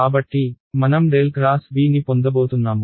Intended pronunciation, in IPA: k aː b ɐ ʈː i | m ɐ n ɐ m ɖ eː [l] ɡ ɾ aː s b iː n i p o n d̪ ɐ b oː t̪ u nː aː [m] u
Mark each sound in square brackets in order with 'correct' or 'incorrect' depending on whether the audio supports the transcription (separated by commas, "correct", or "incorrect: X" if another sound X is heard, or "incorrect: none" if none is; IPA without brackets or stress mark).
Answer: correct, correct